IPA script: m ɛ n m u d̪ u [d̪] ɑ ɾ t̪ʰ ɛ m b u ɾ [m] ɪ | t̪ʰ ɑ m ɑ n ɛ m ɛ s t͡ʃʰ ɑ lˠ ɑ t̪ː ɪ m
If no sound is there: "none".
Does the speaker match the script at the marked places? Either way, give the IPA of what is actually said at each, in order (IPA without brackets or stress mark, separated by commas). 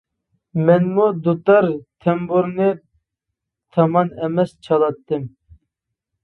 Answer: t̪, n